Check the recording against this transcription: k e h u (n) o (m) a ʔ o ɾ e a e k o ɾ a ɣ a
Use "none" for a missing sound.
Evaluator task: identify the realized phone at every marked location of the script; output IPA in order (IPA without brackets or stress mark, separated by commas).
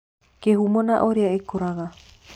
m, n